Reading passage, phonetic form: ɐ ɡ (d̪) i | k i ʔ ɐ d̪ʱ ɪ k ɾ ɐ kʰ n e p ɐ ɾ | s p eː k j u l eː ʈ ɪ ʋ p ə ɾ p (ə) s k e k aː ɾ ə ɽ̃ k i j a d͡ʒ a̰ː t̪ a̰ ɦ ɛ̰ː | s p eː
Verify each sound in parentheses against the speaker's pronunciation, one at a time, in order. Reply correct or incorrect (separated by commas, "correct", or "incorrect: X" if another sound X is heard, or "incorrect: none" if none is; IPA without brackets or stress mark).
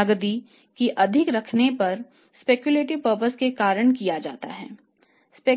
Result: correct, correct